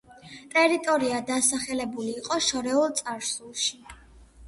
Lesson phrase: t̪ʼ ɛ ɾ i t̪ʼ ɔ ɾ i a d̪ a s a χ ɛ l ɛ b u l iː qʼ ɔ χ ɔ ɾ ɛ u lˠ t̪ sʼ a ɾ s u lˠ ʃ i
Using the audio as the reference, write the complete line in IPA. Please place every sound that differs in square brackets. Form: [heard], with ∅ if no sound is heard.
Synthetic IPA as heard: t̪ʼ ɛ ɾ i t̪ʼ ɔ ɾ i a d̪ a s a χ ɛ l ɛ b u l iː qʼ ɔ [ʃ] ɔ ɾ ɛ u lˠ t̪ sʼ a ɾ s u lˠ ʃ i